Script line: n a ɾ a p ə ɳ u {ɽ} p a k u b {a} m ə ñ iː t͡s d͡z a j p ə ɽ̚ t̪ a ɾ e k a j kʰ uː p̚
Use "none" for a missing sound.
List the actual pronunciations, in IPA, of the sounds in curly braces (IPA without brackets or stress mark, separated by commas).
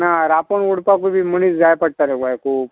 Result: ɽ, i